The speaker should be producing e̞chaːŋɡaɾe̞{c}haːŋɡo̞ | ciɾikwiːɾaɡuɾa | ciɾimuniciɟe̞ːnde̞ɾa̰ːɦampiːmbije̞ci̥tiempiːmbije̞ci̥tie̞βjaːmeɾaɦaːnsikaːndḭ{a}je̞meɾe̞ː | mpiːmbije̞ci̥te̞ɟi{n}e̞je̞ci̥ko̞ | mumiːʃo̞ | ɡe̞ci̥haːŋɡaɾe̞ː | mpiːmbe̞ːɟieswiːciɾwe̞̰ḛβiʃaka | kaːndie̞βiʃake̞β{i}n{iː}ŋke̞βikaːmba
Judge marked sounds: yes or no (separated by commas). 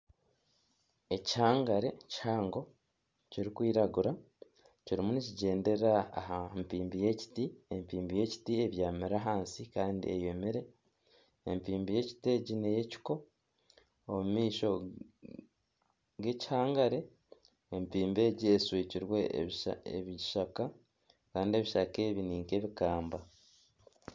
yes, no, yes, yes, yes